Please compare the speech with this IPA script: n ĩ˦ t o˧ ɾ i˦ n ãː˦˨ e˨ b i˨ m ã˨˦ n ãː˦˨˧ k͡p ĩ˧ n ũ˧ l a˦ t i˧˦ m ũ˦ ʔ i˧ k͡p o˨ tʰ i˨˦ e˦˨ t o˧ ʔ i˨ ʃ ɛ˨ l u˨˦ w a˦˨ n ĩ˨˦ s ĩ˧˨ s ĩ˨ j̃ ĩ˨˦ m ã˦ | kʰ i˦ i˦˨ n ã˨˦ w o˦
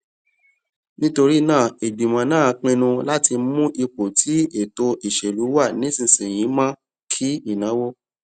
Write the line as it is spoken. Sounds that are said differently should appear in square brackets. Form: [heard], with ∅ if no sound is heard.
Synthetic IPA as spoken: n ĩ˦ t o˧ ɾ i˦ n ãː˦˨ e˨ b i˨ m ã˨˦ n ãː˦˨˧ k͡p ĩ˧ n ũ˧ l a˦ t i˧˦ m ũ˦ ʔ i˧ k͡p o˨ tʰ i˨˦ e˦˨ t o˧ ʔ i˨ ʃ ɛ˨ l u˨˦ w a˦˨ n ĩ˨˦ s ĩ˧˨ s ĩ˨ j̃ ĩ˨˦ m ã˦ | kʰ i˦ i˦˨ n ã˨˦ w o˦